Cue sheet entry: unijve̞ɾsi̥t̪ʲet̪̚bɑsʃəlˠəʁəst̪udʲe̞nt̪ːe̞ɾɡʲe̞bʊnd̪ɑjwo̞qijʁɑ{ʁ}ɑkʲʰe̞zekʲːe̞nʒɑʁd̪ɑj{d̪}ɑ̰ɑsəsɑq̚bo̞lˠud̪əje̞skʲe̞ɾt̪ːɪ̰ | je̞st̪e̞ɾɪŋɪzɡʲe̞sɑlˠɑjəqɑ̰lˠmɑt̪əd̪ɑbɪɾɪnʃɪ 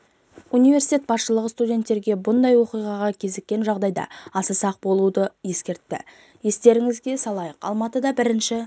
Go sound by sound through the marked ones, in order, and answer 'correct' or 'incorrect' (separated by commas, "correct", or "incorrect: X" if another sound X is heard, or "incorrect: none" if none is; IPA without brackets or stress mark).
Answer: correct, correct